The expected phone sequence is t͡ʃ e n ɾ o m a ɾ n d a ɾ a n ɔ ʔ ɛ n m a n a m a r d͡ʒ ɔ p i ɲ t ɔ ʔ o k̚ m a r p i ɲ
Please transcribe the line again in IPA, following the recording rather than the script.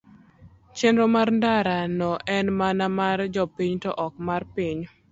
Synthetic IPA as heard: t͡ʃ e n ɾ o m a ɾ n d a ɾ a n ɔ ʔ ɛ n m a n a m a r d͡ʒ ɔ p i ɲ t ɔ ʔ ɔ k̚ m a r p i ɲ

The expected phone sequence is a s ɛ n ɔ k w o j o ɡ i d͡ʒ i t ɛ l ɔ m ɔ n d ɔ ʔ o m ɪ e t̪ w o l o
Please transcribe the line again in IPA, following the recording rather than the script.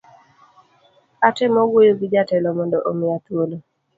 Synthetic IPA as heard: a t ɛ m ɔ ɡ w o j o ɡ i d͡ʒ a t ɛ l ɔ m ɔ n d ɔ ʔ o m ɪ a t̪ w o l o

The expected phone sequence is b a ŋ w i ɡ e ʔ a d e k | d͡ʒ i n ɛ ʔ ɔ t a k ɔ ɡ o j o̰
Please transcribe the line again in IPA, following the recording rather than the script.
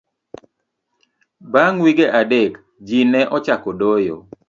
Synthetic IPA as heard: b a ŋ w i ɡ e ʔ a d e k | d͡ʒ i n ɛ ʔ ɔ t͡ʃ a k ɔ d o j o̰

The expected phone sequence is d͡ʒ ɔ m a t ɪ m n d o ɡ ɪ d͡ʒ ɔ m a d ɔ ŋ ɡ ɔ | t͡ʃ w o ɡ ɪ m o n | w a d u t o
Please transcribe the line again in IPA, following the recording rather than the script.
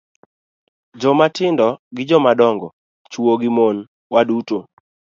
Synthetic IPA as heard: d͡ʒ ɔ m a t ɪ n d ɔ ɡ ɪ d͡ʒ ɔ m a d ɔ ŋ ɡ ɔ | t͡ʃ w o ɡ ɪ m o n | w a d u t o

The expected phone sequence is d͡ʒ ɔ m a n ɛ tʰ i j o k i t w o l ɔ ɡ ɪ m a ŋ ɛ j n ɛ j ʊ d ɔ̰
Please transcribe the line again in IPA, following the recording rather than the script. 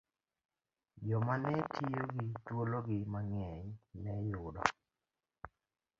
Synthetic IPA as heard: d͡ʒ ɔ m a n ɛ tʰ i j o ɡ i t w o l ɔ ɡ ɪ m a ŋ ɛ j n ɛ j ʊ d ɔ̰

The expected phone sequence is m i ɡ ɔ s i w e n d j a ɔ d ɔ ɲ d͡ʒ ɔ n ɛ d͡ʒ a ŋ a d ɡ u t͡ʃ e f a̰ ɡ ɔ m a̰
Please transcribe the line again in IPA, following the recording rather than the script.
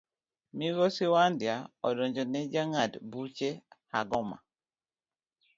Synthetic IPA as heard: m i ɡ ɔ s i w a n d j a ɔ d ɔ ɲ d͡ʒ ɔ n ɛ d͡ʒ a ŋ a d b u t͡ʃ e h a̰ ɡ ɔ m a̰

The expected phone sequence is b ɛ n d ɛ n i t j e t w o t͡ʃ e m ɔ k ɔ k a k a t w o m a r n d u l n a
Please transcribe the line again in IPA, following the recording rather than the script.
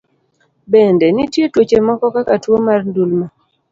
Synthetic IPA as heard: b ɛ n d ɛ n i t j e t w o t͡ʃ e m ɔ k ɔ k a k a t w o m a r n d u l m a

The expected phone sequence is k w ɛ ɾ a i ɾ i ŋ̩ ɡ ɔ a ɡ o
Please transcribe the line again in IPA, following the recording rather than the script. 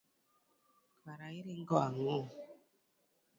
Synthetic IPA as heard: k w a ɾ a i ɾ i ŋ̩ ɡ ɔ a ŋ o

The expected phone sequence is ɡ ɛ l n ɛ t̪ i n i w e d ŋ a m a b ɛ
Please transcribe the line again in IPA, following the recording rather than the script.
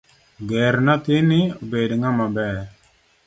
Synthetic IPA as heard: ɡ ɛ ɾ n a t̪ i n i b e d ŋ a m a b ɛ

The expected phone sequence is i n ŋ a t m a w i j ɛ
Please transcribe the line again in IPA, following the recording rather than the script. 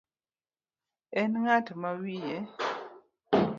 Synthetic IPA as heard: ɛ n ŋ a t m a w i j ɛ

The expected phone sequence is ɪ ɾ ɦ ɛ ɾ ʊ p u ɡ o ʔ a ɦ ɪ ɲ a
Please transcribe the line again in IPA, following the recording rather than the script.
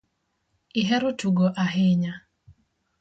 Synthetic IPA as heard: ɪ ɦ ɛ ɾ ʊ t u ɡ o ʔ a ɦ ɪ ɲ a

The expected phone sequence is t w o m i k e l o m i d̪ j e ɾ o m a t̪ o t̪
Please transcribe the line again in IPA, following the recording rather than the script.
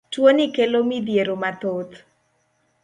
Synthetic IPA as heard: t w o n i k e l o m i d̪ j e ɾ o m a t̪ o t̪

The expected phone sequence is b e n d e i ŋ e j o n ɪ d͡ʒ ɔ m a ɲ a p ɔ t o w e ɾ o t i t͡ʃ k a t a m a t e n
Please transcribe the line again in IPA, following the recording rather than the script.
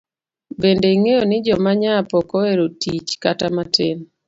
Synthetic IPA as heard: b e n d e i ŋ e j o n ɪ d͡ʒ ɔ m a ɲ a p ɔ k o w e ɾ o t i t͡ʃ k a t a m a t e n

